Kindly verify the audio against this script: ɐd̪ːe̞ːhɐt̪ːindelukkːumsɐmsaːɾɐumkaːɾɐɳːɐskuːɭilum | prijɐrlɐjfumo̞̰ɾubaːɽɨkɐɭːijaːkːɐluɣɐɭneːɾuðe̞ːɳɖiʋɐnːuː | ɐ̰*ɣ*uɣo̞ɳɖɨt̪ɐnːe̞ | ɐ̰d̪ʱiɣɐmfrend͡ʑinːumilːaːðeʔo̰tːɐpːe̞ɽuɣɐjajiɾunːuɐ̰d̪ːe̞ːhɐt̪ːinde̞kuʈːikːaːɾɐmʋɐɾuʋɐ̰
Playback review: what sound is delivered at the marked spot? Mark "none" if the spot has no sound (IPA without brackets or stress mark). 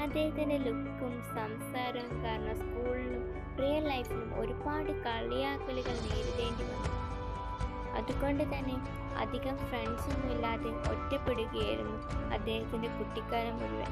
ð